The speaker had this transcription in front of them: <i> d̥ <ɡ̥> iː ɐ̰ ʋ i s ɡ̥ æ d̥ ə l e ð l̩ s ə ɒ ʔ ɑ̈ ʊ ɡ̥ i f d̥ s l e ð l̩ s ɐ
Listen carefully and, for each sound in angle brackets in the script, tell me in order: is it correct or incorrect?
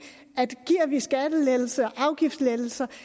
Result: incorrect: æ, correct

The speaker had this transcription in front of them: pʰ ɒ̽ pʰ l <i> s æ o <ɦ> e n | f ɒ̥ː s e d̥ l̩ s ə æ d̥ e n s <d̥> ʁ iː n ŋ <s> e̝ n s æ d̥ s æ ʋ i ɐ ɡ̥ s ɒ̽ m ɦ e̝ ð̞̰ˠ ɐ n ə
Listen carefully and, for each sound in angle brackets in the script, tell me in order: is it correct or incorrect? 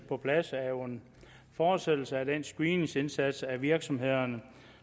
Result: incorrect: æ, incorrect: none, incorrect: ɡ̥, correct

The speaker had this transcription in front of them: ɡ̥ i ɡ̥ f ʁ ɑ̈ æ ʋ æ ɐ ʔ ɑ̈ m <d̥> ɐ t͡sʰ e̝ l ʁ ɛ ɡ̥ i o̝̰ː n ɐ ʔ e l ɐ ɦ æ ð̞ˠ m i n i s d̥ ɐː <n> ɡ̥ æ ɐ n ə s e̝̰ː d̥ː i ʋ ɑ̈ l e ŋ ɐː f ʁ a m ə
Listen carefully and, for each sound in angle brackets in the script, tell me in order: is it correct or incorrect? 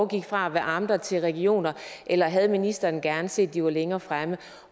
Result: correct, correct

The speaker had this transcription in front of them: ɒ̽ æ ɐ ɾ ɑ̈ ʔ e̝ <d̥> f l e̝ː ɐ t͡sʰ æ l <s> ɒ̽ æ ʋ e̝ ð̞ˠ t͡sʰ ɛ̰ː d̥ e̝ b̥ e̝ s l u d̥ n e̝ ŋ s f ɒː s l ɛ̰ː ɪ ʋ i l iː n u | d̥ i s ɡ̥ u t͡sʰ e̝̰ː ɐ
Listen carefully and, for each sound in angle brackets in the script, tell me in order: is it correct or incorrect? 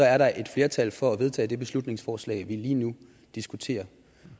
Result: correct, incorrect: f

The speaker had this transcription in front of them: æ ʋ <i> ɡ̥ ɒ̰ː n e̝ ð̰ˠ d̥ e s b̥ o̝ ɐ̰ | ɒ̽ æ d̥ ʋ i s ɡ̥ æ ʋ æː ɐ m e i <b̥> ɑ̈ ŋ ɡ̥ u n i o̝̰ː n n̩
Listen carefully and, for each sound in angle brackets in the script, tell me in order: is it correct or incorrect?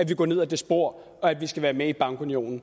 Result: correct, correct

